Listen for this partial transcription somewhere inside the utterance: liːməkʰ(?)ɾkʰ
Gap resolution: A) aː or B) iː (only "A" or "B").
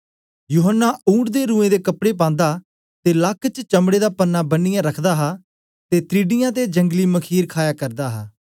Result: B